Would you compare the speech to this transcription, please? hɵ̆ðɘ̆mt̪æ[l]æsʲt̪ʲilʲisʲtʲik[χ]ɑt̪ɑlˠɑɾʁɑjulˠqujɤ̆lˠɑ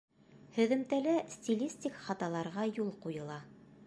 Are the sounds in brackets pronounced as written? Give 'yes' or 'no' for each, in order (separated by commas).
yes, yes